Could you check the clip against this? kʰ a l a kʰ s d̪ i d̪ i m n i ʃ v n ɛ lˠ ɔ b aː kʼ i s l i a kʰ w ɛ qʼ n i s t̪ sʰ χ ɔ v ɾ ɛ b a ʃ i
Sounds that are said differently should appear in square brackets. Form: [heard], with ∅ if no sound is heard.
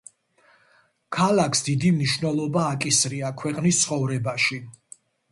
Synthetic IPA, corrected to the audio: kʰ a l a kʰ s d̪ i d̪ i m n i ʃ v n ɛ lˠ ɔ b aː kʼ i s [ɾ] i a kʰ w ɛ qʼ n i s t̪ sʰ χ ɔ v ɾ ɛ b a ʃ i